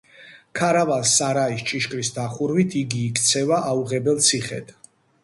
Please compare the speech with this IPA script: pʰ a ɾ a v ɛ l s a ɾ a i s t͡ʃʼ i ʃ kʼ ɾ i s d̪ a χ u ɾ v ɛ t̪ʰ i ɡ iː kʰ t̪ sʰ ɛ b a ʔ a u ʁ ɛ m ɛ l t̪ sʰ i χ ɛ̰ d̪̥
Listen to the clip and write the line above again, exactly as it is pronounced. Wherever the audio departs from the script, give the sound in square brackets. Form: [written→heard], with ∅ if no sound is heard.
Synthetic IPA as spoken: [pʰ→kʰ] a ɾ a v [ɛ→a] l s a ɾ a i s t͡ʃʼ i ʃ kʼ ɾ i s d̪ a χ u ɾ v [ɛ→i] t̪ʰ i ɡ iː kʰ t̪ sʰ ɛ [b→v] a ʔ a u ʁ ɛ [m→b] ɛ l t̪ sʰ i χ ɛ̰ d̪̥

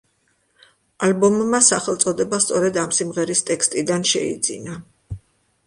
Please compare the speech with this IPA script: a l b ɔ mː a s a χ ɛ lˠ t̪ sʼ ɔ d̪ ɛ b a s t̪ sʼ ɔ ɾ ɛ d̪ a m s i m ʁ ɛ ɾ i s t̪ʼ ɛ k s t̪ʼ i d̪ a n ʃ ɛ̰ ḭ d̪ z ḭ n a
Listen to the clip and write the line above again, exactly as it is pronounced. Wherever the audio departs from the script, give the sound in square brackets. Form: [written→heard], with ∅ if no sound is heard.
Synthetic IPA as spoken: a l b ɔ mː a s a χ ɛ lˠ t̪ sʼ ɔ d̪ ɛ b a s t̪ sʼ ɔ ɾ ɛ d̪ a m s i m ʁ ɛ ɾ i s t̪ʼ ɛ k s t̪ʼ i d̪ a n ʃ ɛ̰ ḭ d̪ z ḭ n a

